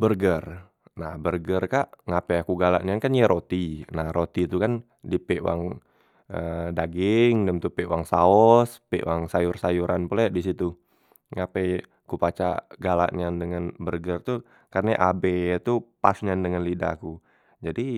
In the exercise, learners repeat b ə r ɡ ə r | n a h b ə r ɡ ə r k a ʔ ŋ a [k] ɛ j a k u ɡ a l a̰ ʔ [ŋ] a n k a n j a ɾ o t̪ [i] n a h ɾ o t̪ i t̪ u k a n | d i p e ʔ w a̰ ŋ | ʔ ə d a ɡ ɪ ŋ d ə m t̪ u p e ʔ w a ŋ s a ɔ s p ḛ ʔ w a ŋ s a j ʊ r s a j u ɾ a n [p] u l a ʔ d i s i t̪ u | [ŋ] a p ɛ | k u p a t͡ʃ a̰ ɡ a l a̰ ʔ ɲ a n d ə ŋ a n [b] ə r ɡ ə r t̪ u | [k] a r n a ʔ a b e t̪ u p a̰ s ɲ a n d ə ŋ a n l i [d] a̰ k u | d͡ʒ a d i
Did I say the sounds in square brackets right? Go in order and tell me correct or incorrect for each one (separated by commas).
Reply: incorrect, incorrect, correct, correct, correct, correct, correct, correct